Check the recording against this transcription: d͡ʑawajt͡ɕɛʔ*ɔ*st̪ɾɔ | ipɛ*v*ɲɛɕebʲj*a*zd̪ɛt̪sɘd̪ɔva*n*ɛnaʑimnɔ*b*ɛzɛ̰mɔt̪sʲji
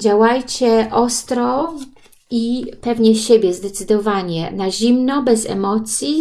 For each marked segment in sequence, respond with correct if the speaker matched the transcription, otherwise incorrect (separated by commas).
correct, correct, incorrect, incorrect, correct